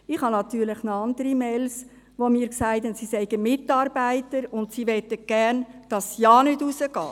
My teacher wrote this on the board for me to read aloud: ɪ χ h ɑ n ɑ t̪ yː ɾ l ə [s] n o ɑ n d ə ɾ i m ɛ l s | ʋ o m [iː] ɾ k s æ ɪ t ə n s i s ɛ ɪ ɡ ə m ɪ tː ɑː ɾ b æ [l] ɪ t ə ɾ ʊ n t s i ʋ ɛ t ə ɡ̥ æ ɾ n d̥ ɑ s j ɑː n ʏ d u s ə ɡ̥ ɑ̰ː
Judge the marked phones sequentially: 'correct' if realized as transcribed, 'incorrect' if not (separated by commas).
incorrect, correct, incorrect